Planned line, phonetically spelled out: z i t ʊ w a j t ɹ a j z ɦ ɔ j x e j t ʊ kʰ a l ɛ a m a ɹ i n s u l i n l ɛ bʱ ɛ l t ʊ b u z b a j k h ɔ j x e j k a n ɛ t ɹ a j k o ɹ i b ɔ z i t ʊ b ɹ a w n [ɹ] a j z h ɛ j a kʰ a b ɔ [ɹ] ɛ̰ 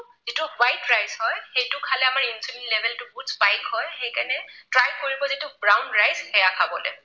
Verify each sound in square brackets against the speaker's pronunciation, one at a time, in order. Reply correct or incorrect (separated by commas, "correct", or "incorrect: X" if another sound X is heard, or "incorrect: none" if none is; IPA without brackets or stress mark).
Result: correct, incorrect: l